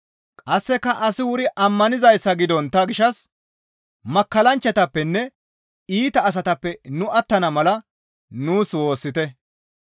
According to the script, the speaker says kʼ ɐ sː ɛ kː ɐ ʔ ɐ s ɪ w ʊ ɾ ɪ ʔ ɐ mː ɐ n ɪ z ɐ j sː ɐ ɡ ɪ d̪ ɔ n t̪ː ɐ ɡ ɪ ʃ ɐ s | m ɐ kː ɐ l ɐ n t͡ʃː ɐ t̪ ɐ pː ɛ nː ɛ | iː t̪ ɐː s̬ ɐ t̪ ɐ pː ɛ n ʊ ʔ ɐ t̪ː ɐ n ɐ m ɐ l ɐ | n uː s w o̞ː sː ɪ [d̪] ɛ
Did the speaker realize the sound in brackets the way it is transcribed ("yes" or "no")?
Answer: no